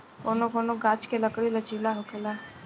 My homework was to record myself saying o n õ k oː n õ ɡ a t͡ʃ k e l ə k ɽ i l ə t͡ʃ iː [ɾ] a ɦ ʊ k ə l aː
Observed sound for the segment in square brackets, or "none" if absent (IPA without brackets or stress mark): l